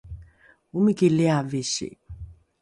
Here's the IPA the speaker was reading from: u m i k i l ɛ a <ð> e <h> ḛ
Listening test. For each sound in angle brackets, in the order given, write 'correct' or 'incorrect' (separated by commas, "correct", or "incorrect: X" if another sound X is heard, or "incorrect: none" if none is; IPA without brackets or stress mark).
incorrect: v, incorrect: ʃ